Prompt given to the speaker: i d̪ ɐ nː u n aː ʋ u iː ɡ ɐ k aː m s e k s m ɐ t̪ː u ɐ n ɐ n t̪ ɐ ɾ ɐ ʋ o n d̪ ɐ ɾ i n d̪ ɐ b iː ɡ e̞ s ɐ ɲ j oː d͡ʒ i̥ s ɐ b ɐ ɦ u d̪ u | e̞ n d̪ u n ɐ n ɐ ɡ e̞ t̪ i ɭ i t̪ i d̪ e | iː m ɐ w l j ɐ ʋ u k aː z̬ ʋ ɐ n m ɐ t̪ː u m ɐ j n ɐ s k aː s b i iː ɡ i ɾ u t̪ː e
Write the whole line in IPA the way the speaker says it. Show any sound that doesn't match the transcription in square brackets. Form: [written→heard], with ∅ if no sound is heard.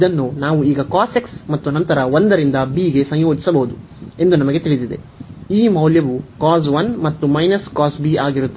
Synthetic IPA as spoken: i d̪ ɐ nː u n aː ʋ u iː ɡ ɐ k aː [m→∅] s e k s m ɐ t̪ː u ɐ n ɐ n t̪ ɐ ɾ ɐ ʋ o n d̪ ɐ ɾ i n d̪ ɐ b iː ɡ e̞ s ɐ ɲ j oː d͡ʒ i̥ s ɐ b ɐ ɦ u d̪ u | e̞ n d̪ u n ɐ [n→m] ɐ ɡ e̞ t̪ i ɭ i [t̪→d̪] i d̪ e | iː m ɐ w l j ɐ ʋ u k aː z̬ ʋ ɐ n m ɐ t̪ː u m ɐ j n ɐ s k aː s b i [iː→aː] ɡ i ɾ u t̪ː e